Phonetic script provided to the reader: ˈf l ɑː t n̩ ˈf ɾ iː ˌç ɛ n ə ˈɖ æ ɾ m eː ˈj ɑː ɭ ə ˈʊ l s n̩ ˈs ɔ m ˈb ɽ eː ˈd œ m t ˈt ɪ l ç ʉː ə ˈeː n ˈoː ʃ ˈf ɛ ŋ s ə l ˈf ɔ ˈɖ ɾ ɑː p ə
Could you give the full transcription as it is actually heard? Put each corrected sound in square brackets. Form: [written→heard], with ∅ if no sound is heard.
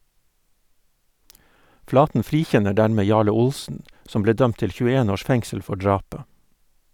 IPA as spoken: ˈf l ɑː t n̩ ˈf ɾ iː ˌç ɛ n ə ˈɖ æ ɾ m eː ˈj ɑː ɭ ə ˈʊ l s n̩ ˈs ɔ m ˈb [ɽ→l] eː ˈd œ m t ˈt ɪ l ç ʉː ə ˈeː n ˈoː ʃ ˈf ɛ ŋ s ə l ˈf ɔ ˈɖ [ɾ→ɹ] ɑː p ə